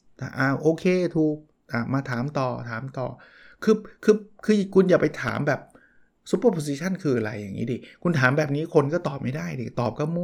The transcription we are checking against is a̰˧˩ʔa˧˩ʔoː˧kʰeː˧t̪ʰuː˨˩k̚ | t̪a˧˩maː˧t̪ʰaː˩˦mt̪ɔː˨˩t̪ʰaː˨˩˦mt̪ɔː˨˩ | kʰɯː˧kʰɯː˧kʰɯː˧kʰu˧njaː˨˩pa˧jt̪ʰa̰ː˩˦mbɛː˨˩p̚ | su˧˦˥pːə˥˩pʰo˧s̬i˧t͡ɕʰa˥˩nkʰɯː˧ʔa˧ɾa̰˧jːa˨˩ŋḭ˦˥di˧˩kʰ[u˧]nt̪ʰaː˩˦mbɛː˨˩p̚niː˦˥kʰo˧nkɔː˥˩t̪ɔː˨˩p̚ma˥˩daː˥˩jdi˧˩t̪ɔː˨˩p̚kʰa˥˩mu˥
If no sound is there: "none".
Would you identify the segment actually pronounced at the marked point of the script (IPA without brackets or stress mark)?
u˧